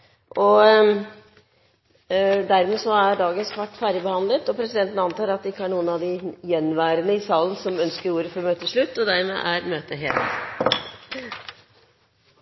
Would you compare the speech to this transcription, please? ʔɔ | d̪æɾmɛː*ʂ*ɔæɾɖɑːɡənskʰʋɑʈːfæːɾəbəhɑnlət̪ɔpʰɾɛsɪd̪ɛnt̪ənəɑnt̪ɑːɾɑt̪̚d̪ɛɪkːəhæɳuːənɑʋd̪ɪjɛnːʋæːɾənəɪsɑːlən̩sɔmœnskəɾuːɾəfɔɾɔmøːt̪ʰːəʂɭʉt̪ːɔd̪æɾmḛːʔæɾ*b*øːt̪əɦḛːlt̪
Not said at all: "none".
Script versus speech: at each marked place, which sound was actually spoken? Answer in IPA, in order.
s, m

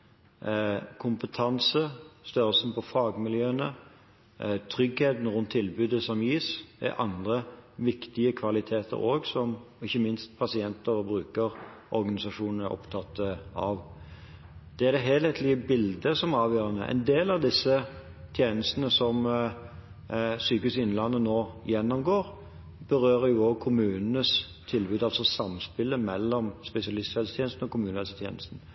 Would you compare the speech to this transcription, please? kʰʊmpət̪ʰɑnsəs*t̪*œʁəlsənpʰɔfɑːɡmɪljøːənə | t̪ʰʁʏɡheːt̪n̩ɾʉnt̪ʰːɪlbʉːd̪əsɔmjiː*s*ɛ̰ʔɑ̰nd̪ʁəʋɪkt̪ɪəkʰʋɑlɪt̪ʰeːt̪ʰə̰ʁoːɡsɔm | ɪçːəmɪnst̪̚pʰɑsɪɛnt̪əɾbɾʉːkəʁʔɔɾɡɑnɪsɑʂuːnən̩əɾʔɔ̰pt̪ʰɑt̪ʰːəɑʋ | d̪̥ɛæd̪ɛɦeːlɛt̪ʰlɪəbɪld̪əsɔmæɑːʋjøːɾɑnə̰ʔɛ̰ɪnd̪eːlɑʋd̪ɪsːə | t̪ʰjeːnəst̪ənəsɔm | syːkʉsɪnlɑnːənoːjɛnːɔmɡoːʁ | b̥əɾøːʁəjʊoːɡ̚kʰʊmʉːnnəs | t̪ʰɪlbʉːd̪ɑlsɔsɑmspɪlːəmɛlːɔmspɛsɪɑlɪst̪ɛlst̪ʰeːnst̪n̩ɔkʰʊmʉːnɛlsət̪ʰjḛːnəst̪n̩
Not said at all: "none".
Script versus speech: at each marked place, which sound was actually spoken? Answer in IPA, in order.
t̪, s

